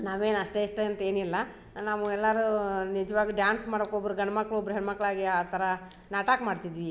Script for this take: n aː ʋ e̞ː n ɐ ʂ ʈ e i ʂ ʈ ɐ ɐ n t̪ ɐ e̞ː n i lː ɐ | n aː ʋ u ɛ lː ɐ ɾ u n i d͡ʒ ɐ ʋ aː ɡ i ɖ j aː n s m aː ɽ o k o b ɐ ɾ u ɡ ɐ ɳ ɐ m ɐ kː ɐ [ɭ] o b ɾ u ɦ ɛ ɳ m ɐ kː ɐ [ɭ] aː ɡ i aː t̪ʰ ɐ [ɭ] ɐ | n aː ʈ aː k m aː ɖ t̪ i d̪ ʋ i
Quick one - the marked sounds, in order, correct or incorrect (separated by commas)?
correct, correct, incorrect